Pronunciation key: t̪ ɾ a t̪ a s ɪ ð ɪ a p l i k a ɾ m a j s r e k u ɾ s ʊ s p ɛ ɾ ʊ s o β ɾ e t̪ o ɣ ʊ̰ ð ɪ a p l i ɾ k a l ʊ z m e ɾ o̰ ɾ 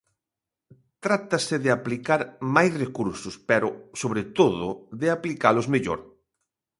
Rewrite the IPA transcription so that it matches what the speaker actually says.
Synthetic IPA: t̪ ɾ a t̪ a s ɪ ð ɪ a p l i k a ɾ m a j s r e k u ɾ s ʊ s p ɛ ɾ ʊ s o β ɾ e t̪ o ð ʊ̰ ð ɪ a p l i k a l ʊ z m e ʎ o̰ ɾ

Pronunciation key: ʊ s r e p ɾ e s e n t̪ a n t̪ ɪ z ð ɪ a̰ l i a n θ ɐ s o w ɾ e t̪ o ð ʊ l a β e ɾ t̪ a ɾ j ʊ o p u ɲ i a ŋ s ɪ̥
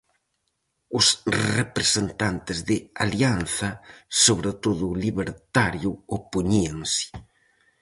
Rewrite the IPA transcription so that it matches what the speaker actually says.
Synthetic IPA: ʊ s r e p ɾ e s e n t̪ a n t̪ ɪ z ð ɪ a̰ l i a n θ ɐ s o β ɾ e t̪ o ð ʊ l i β e ɾ t̪ a ɾ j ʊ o p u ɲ i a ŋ s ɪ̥

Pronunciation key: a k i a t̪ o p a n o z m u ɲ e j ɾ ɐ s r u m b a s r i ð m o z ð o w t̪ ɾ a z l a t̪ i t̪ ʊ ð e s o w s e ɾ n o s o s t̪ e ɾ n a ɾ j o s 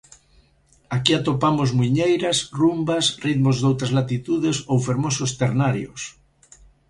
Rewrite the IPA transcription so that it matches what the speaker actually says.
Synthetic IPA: a k i a t̪ o p a m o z m u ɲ e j ɾ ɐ s r u m b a s r i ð m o z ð o w t̪ ɾ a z l a t̪ i t̪ u ð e s o w f e ɾ m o s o s t̪ e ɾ n a ɾ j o s

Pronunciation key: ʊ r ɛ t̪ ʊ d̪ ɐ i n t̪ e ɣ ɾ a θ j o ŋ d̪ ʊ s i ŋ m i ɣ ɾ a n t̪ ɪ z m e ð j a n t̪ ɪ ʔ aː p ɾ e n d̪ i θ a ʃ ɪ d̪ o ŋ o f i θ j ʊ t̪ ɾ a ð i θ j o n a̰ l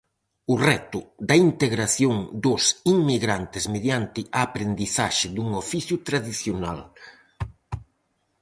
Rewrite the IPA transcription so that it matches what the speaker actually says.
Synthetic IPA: ʊ r ɛ t̪ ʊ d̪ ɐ i n t̪ e ɣ ɾ a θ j o ŋ d̪ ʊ s i ŋ m i ɣ ɾ a n t̪ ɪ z m e ð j a n t̪ ɪ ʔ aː p ɾ e n d̪ i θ a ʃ ɪ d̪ u ŋ o f i θ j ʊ t̪ ɾ a ð i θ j o n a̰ l

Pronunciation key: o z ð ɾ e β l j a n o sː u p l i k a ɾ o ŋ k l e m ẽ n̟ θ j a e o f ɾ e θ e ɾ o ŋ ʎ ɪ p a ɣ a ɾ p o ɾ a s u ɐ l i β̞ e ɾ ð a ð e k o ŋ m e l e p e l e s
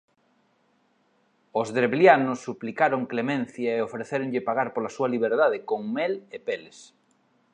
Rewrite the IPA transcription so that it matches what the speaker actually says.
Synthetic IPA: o z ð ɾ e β l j a n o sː u p l i k a ɾ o ŋ k l e m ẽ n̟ θ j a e o f ɾ e θ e ɾ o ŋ ʎ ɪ p a ɣ a ɾ p o l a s u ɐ l i β̞ e ɾ ð a ð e k o ŋ m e l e p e l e s

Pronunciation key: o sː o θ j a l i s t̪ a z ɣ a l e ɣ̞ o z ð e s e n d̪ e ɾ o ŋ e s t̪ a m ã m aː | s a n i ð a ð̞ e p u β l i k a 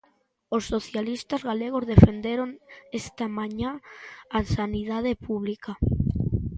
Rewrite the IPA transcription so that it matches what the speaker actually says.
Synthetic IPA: o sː o θ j a l i s t̪ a z ɣ a l e ɣ̞ o z ð e f e n d̪ e ɾ o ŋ e s t̪ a m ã ɲ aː | s a n i ð a ð̞ e p u β l i k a

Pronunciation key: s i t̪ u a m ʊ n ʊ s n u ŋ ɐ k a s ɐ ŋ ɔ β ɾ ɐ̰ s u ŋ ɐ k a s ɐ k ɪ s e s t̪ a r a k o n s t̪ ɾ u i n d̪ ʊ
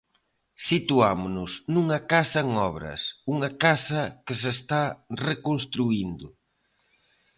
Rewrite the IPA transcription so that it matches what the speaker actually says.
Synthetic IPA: s i t̪ u a m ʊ n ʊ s n u ŋ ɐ k a s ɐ ŋ ɔ β ɾ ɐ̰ s u ŋ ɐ k a s ɐ k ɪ s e s t̪ a r e k o n s t̪ ɾ u i n d̪ ʊ

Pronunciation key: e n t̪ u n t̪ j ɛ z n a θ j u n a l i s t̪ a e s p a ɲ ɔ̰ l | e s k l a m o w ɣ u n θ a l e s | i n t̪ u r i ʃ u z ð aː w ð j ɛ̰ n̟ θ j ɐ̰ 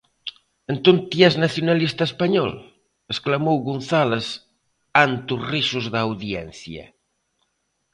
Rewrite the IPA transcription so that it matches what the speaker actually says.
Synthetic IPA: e n t̪ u n t̪ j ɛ z n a θ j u n a l i s t̪ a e s p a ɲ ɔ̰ l | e s k l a m o w ɣ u n θ a l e s | a n t̪ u r i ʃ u z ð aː w ð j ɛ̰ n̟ θ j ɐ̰

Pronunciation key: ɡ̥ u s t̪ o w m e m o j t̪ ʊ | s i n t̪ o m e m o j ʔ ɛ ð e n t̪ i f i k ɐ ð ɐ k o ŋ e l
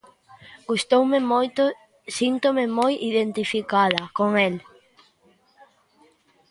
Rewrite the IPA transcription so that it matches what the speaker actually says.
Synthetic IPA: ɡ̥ u s t̪ o w m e m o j t̪ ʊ | s i n t̪ o m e m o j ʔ i ð e n t̪ i f i k a ð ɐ k o ŋ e l

